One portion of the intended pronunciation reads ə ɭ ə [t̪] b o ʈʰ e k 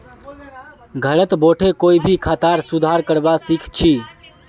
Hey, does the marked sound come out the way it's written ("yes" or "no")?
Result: yes